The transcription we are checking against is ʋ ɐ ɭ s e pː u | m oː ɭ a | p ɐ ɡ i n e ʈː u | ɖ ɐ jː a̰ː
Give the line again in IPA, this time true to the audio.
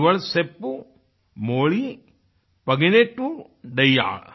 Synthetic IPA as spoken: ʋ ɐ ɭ s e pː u | m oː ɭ i | p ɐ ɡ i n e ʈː u | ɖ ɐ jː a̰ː

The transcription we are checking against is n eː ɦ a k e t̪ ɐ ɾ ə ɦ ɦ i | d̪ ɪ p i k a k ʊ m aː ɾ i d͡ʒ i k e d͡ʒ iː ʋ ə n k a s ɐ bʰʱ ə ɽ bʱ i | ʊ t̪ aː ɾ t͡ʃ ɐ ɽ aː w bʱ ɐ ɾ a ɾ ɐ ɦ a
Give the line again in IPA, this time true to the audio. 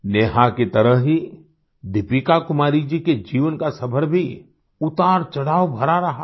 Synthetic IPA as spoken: n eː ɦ a k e t̪ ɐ ɾ ə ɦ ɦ i | d̪ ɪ p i k a k ʊ m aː ɾ i d͡ʒ i k e d͡ʒ iː ʋ ə n k a s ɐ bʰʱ ə ɾ bʱ i | ʊ t̪ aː ɾ t͡ʃ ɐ ɽ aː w bʱ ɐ ɾ a ɾ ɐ ɦ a

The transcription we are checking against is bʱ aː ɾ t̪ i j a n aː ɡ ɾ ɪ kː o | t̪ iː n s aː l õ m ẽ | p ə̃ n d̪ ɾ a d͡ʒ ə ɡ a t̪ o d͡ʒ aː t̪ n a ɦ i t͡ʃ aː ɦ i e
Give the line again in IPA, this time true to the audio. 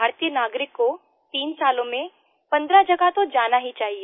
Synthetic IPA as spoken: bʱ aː ɾ t̪ i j ə n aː ɡ ɾ ɪ kː o | t̪ iː n s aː l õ m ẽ | p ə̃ n d̪ ɾ a d͡ʒ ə ɡ a t̪ o d͡ʒ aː n a ɦ i t͡ʃ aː ɦ i e

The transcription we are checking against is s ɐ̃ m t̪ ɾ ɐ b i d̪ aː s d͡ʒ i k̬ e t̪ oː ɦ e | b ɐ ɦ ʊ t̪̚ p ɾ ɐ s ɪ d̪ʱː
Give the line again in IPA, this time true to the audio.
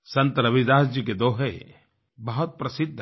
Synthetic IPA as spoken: s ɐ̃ n t̪ ɾ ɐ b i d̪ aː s d͡ʒ i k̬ e d̪ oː ɦ e | b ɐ ɦ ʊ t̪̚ p ɾ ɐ s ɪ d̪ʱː

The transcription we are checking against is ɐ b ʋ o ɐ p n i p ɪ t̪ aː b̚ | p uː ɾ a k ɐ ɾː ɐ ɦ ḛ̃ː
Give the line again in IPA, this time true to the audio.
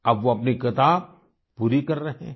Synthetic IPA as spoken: ɐ b ʋ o ɐ p n i k ɪ t̪ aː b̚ | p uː ɾ i k ɐ ɾː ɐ ɦ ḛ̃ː

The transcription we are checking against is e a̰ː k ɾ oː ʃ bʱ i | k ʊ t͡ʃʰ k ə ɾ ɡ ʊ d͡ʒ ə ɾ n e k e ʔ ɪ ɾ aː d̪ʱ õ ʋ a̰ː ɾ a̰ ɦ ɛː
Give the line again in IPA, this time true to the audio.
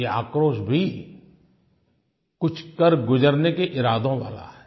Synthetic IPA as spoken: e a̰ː k ɾ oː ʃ bʱ i | k ʊ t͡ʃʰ k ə ɾ ɡ ʊ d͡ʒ ə ɾ n e k e ʔ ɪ ɾ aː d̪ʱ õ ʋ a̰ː l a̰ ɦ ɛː

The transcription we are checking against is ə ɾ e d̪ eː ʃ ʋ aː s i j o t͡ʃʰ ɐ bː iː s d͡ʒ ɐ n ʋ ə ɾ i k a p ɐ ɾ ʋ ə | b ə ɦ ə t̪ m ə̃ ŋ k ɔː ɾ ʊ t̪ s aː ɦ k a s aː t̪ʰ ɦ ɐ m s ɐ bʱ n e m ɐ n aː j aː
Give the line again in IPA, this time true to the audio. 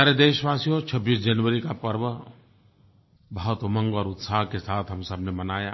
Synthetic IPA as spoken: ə ɾ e d̪ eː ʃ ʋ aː s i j o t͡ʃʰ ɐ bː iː s d͡ʒ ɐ n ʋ ə ɾ i k a p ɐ ɾ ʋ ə | b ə ɦ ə t̪ m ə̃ ŋ ɡ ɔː ɾ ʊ t̪ s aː ɦ k e s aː t̪ʰ ɦ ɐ m s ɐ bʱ n e m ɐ n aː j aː

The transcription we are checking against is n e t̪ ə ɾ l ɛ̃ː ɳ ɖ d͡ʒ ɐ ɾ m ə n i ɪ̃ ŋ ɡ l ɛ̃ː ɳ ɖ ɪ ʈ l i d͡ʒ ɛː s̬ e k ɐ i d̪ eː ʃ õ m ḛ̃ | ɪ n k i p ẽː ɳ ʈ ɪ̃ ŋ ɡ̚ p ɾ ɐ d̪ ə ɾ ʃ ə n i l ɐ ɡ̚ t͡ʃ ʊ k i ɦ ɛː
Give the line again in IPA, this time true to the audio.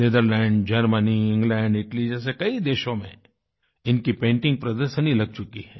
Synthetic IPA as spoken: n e d̪ ə ɾ l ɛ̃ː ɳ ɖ d͡ʒ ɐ ɾ m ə n i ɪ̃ ŋ ɡ l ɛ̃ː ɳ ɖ ɪ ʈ l i d͡ʒ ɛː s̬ e k ɐ i d̪ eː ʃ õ m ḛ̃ | ɪ n k i p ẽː ɳ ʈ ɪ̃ ŋ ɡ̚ p ɾ ɐ d̪ ə ɾ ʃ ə n i l ɐ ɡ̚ t͡ʃ ʊ k i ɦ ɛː

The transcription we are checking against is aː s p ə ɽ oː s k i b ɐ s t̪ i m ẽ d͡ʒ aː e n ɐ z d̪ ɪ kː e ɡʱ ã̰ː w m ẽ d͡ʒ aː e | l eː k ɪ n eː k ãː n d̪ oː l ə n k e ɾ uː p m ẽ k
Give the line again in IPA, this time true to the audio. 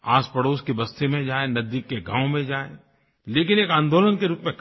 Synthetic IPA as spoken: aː s p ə ɽ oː s k i b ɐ s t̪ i m ẽ d͡ʒ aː e n ɐ z d̪ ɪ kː e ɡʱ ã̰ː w m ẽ d͡ʒ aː e | l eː k ɪ n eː k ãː n d̪ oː l ə n k e ɾ uː p m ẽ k

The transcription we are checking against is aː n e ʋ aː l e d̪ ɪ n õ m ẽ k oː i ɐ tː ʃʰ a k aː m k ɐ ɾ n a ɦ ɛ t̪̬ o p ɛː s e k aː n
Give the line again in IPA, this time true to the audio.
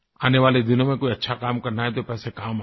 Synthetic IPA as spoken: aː n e ʋ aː l e d̪ ɪ n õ m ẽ k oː i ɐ tː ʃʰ a k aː m k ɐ ɾ n a ɦ ɛ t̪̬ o p ɛː s e k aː m

